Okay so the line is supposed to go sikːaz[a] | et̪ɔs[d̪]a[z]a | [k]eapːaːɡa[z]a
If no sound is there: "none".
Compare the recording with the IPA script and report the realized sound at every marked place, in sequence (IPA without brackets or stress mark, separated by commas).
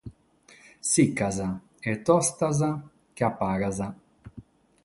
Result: a, t̪, z, k, z